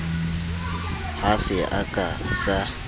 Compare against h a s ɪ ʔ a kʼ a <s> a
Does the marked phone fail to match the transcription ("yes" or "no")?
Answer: no